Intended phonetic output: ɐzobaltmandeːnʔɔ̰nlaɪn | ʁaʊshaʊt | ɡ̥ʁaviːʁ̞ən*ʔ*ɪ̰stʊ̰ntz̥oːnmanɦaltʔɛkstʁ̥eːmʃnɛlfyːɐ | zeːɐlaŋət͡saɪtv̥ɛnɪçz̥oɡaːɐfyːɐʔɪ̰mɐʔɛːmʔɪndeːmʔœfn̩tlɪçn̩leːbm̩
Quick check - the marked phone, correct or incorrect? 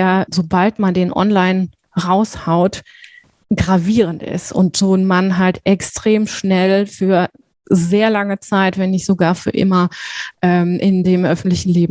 incorrect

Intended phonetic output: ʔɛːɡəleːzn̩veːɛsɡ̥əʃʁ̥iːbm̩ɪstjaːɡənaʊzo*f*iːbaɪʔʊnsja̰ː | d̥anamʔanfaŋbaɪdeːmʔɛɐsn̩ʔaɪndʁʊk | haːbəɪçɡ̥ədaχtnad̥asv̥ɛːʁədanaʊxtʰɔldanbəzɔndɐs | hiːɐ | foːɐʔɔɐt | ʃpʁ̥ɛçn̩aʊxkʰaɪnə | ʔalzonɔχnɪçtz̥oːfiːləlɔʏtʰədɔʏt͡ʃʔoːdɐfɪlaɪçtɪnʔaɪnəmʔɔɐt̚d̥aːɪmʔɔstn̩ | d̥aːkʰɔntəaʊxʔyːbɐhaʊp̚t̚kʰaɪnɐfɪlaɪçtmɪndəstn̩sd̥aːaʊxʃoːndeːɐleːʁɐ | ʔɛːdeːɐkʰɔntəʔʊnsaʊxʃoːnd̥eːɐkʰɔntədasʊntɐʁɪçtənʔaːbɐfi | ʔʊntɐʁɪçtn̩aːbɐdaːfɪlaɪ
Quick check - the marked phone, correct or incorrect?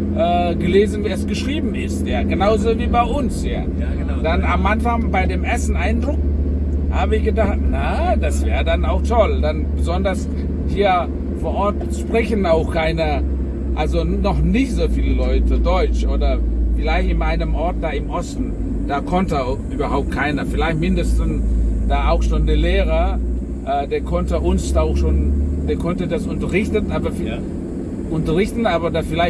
incorrect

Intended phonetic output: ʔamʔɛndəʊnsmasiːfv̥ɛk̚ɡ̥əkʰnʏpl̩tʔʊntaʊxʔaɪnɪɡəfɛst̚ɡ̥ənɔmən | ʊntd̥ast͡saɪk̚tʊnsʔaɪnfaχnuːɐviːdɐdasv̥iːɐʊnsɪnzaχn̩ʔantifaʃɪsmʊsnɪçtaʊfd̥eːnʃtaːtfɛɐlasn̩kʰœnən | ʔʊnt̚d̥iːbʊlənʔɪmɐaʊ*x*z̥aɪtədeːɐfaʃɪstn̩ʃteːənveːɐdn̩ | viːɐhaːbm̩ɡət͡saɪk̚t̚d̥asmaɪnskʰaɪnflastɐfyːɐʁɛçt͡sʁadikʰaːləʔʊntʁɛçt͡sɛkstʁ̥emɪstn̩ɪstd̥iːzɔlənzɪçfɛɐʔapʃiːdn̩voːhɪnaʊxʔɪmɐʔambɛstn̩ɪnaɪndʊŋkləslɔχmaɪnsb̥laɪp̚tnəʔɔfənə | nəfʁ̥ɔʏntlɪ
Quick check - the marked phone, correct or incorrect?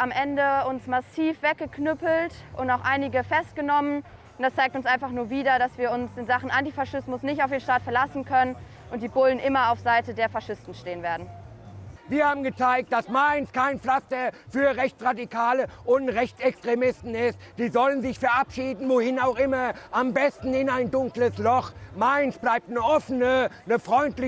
incorrect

